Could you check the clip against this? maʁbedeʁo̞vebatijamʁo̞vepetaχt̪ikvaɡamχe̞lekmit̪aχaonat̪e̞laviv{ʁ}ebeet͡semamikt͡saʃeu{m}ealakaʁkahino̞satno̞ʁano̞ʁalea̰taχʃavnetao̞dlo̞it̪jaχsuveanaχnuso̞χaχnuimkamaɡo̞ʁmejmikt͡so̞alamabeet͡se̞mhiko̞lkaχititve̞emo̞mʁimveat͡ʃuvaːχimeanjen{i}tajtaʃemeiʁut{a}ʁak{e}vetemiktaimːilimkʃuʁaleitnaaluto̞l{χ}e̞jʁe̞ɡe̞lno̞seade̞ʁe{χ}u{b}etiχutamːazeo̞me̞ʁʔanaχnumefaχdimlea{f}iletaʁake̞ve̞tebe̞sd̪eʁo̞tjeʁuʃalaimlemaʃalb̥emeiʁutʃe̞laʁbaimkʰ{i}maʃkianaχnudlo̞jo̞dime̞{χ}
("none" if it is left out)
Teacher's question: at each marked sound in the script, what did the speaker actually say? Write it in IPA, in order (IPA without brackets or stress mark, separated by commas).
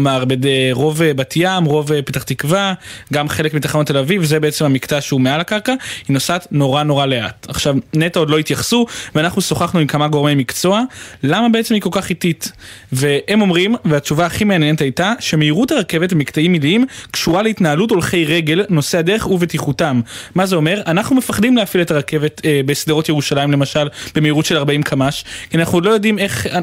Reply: z, m, e, a, e, χ, χ, v, f, a, χ